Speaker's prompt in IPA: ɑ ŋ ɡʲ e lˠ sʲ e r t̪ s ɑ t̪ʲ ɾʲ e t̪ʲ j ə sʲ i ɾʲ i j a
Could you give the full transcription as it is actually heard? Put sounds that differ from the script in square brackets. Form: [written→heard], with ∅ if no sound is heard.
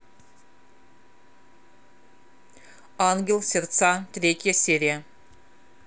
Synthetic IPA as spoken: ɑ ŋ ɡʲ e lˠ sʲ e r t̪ s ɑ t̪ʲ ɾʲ e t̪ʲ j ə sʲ [i→e] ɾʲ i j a